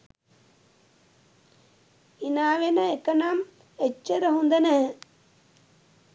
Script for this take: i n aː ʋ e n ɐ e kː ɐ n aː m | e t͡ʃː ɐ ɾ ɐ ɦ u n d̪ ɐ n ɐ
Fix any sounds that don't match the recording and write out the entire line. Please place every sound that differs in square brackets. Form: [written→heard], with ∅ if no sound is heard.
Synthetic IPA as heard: i n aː ʋ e n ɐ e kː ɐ n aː m | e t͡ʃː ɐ ɾ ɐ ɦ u n d̪ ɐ n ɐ